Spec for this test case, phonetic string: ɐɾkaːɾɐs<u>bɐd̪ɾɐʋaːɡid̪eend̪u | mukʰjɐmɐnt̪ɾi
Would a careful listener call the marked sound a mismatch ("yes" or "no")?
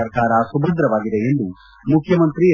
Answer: no